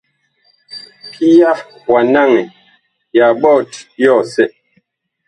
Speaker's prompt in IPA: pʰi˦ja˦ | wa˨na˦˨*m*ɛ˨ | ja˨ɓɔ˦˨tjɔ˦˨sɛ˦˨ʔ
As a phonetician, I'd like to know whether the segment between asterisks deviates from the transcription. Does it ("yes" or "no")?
yes